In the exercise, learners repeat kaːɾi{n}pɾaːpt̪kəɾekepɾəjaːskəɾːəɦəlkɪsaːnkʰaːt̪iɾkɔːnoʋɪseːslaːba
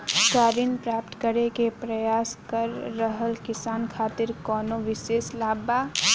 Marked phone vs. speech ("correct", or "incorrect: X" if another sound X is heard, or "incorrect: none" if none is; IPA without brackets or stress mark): correct